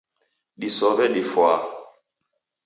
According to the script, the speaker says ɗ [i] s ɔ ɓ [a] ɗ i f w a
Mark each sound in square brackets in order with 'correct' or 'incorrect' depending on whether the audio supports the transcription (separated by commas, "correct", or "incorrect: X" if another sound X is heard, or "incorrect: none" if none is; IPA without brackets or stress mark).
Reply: correct, incorrect: ɛ